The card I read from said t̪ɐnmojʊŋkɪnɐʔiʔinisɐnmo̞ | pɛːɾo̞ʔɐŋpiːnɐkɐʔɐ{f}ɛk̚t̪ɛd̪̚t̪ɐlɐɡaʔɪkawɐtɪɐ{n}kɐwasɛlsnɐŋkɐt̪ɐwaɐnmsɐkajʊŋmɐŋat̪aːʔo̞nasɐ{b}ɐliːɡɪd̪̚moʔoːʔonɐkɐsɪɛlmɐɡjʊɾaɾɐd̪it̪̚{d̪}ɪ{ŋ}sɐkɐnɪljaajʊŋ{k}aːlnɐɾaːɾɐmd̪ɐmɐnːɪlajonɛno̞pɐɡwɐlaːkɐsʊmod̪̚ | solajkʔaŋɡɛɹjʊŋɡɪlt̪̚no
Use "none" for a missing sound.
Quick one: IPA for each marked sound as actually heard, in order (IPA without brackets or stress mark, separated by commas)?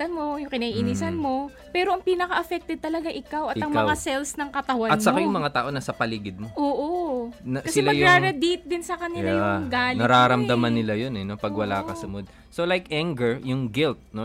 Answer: f, ŋ, p, d̪, n, ɡ